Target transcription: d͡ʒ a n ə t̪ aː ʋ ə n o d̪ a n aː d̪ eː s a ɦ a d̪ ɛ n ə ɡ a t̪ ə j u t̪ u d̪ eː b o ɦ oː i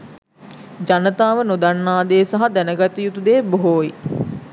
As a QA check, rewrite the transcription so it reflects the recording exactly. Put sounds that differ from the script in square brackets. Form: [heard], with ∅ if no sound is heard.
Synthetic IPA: d͡ʒ a n ə t̪ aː ʋ ə n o d̪ a [nː] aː d̪ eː s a ɦ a d̪ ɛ n ə ɡ a t̪ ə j u t̪ u d̪ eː b o ɦ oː i